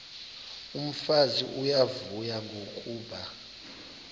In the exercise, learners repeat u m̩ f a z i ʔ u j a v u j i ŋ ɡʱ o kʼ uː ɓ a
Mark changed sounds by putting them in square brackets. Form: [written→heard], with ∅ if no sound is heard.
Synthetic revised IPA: u m̩ f a z i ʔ u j a v u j [i→a] ŋ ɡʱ o kʼ uː ɓ a